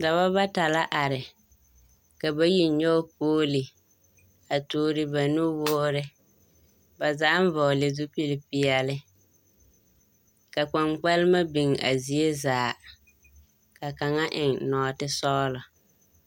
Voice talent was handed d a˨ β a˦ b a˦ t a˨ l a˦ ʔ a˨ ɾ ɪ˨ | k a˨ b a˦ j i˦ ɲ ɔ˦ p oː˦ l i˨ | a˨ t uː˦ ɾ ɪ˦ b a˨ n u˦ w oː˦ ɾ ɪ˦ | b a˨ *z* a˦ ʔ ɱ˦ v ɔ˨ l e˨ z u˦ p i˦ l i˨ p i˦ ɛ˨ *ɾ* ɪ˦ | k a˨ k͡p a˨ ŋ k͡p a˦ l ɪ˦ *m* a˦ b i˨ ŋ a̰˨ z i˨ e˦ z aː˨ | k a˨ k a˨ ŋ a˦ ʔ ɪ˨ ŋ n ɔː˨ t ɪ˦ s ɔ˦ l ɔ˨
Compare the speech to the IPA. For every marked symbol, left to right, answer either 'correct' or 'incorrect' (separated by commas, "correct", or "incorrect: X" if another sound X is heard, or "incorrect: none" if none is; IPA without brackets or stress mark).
correct, incorrect: l, correct